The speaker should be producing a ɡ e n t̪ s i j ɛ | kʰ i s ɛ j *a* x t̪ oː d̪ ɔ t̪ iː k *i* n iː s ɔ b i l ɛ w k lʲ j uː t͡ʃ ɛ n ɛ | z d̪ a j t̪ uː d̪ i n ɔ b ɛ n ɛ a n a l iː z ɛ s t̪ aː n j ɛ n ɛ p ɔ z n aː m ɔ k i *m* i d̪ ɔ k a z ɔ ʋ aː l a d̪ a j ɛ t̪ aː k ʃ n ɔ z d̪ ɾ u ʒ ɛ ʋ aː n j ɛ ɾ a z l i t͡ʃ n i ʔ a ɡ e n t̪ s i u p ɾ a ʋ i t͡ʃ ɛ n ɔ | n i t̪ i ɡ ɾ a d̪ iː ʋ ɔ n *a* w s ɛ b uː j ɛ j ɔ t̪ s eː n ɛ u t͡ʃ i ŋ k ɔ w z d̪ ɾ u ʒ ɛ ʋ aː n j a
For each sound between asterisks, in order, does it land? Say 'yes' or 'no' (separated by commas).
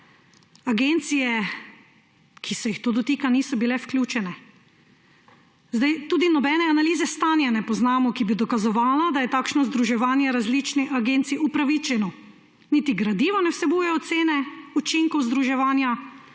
no, no, no, no